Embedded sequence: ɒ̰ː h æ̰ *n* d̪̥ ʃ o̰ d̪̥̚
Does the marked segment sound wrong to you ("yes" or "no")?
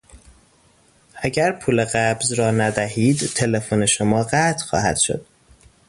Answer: yes